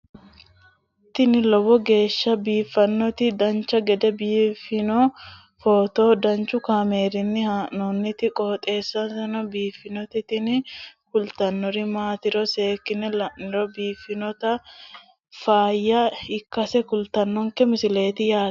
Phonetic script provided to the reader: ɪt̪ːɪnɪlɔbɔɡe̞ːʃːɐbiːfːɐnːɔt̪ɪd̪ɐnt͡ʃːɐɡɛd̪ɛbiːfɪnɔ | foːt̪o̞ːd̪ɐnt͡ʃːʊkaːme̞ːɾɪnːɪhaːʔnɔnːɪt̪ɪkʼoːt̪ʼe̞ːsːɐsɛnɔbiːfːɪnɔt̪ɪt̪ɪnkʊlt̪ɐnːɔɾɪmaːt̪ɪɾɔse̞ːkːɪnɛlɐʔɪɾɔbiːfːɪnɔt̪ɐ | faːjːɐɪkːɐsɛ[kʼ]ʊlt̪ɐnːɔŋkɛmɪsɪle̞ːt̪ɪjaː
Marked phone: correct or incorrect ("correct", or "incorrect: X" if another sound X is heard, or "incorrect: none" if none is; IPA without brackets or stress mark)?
incorrect: k